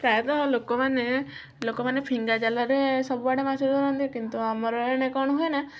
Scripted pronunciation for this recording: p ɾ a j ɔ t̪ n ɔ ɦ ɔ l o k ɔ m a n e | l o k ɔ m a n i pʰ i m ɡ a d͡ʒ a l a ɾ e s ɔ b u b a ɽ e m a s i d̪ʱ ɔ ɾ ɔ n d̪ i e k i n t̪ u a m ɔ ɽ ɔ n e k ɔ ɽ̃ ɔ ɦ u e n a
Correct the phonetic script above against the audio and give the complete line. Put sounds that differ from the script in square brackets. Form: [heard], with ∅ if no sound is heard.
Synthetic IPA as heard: p ɾ a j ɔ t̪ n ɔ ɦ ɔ l o k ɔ m a n e | l o k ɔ m a n [e] pʰ i [ŋ] ɡ a d͡ʒ a l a ɾ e s ɔ b u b a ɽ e m a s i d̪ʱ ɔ ɾ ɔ n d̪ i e k i n t̪ u a m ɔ [ɾ] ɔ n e k ɔ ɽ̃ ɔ ɦ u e n a

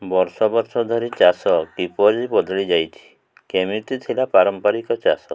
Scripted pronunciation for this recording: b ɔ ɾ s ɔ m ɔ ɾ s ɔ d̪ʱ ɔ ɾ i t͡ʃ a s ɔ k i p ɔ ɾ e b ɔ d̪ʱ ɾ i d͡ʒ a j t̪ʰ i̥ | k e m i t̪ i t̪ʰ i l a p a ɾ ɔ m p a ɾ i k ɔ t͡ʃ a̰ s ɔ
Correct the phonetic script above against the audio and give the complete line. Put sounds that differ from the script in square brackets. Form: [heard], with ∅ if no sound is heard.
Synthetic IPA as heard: b ɔ ɾ s ɔ [b] ɔ ɾ s ɔ d̪ʱ ɔ ɾ i t͡ʃ a s ɔ k i p ɔ ɾ [i] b ɔ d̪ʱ [ɭ] i d͡ʒ a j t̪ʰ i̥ | k e m i t̪ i t̪ʰ i l a p a ɾ ɔ m p a ɾ i k ɔ t͡ʃ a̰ s ɔ

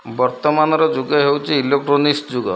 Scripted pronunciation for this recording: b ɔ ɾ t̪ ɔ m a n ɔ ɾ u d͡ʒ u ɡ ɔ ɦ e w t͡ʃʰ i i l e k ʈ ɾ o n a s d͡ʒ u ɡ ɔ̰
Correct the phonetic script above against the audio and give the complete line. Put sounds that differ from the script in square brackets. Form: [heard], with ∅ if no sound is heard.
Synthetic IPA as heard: b ɔ ɾ t̪ ɔ m a n ɔ ɾ [ɔ] d͡ʒ u ɡ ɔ ɦ e w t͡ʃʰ i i l e k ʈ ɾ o n [i] s d͡ʒ u ɡ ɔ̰

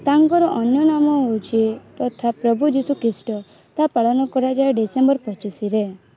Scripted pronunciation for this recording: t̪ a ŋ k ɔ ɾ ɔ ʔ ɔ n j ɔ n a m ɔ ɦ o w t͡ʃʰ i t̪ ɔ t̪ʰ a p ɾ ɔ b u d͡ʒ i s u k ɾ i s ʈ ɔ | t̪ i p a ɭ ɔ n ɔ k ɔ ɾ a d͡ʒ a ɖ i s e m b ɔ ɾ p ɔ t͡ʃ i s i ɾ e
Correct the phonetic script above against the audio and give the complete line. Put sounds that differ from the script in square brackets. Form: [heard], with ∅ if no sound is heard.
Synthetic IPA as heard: t̪ a ŋ k ɔ ɾ ɔ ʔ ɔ n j ɔ n a m ɔ ɦ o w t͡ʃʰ i t̪ ɔ t̪ʰ a p ɾ ɔ b u d͡ʒ i s u k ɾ i s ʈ ɔ | t̪ [a] p a ɭ ɔ n ɔ k ɔ ɾ a d͡ʒ a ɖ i s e m b ɔ ɾ p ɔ t͡ʃ i s i ɾ e

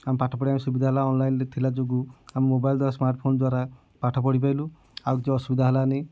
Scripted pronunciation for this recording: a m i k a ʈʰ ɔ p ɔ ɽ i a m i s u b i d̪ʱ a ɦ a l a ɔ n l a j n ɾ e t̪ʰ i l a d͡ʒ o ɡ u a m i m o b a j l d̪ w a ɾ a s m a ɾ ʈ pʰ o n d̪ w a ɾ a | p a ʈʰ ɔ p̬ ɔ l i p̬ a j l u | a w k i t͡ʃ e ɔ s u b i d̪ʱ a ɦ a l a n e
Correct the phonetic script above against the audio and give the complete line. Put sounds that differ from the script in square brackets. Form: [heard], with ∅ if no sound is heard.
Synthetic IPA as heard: a m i [p] a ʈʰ ɔ p ɔ ɽ i a m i s u b i d̪ʱ a ɦ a l a ɔ n l a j n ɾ e t̪ʰ i l a d͡ʒ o ɡ u a m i m o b a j l d̪ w a ɾ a s m a ɾ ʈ pʰ o n d̪ w a ɾ a | p a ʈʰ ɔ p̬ ɔ [ɽ] i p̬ a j l u | a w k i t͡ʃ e ɔ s u b i d̪ʱ a ɦ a l a n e

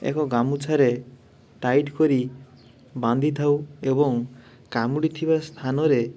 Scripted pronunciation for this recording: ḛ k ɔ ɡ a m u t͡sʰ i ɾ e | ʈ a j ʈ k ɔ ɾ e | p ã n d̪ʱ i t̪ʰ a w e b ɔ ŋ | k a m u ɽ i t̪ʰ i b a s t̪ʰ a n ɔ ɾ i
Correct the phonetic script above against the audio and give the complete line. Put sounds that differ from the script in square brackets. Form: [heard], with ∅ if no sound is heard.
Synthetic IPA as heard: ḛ k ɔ ɡ a m u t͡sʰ [a] ɾ e | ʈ a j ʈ k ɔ ɾ [i] | [b] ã n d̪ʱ i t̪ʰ a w e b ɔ ŋ | k a m u ɽ i t̪ʰ i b a s t̪ʰ a n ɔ ɾ [e]

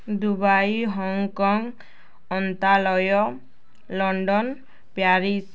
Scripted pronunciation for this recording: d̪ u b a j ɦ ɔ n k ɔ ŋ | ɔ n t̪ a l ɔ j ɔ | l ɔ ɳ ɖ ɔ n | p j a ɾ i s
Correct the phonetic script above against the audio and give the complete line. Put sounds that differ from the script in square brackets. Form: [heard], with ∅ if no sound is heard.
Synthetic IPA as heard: d̪ u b a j ɦ ɔ [ŋ] k ɔ ŋ | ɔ n t̪ a l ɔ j ɔ | l ɔ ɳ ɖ ɔ n | p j a ɾ i s

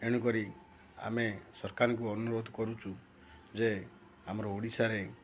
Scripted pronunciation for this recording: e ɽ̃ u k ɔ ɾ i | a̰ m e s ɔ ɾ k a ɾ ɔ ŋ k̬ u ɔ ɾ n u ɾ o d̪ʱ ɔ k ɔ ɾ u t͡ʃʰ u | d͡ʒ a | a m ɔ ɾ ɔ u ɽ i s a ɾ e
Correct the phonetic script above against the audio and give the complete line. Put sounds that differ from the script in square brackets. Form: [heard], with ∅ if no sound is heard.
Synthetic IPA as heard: e ɽ̃ u k ɔ ɾ i | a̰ m e s ɔ ɾ k a ɾ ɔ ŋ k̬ u ɔ [∅] n u ɾ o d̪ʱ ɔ k ɔ ɾ u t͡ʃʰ u | d͡ʒ [e] | a m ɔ ɾ ɔ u ɽ i s a ɾ e

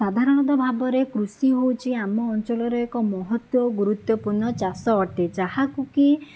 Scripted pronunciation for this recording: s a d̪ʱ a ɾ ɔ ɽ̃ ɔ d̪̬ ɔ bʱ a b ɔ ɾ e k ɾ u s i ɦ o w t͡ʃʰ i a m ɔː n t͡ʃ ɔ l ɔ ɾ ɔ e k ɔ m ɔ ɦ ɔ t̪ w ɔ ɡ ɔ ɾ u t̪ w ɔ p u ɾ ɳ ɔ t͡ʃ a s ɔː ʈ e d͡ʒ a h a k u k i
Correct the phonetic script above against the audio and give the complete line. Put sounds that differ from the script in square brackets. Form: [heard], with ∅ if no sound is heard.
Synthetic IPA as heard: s a d̪ʱ a ɾ ɔ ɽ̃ ɔ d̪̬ ɔ bʱ a b ɔ ɾ e k ɾ u s i ɦ o w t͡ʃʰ i a m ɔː n t͡ʃ ɔ l ɔ ɾ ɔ e k ɔ m ɔ ɦ ɔ t̪ w ɔ ɡ [u] ɾ u t̪ w ɔ p u ɾ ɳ ɔ t͡ʃ a s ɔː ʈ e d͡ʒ a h a k u k i

